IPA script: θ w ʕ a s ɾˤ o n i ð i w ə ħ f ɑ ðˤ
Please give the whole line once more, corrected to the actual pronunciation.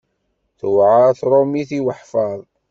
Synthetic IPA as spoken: θ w ʕ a θ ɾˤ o m i θ i w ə ħ f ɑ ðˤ